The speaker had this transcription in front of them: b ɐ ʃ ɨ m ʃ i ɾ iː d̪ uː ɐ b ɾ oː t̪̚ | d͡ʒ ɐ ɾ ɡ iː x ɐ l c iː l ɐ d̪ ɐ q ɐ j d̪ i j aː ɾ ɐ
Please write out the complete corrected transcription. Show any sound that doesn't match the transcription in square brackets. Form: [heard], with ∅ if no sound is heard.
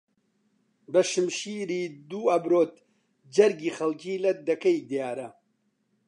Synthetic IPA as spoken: b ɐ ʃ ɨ m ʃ i ɾ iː d̪ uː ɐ b ɾ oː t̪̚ | d͡ʒ ɐ ɾ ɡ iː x ɐ l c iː l ɐ d̪ ɐ [k] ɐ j d̪ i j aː ɾ ɐ